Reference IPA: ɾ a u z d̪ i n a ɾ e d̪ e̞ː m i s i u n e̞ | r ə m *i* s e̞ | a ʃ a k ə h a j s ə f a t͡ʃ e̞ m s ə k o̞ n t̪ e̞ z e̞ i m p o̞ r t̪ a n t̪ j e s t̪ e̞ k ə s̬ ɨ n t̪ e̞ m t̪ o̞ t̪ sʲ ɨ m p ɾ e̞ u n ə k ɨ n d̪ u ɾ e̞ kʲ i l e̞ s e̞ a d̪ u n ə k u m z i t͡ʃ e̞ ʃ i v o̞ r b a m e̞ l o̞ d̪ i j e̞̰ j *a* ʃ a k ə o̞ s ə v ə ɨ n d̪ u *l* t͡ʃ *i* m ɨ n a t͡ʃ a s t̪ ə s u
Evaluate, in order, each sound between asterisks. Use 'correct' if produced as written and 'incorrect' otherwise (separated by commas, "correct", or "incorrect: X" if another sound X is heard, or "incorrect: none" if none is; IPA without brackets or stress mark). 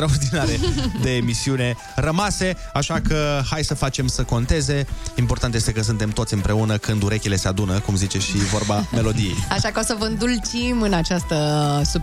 incorrect: a, correct, correct, correct